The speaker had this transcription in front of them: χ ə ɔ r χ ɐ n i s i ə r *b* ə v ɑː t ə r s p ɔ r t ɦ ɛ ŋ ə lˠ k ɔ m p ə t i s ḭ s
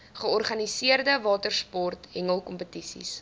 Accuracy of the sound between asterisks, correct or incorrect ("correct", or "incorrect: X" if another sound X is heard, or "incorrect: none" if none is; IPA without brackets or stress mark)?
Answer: incorrect: d